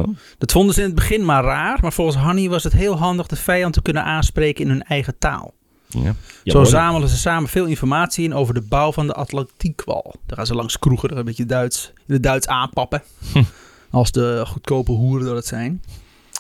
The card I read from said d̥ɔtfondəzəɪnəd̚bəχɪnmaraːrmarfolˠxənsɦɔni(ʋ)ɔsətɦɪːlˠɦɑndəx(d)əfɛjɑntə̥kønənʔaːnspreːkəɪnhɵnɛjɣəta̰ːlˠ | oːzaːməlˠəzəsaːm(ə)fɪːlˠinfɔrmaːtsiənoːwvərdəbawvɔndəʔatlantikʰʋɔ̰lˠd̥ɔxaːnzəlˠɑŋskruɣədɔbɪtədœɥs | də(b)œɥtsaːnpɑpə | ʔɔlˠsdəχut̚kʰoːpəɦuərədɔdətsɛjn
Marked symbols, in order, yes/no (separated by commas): yes, yes, yes, no